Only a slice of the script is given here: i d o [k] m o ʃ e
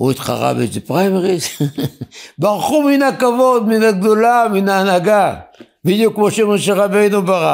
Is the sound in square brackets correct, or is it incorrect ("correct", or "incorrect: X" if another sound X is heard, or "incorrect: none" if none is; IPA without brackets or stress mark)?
correct